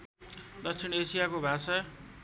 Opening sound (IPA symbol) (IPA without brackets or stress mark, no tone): d̪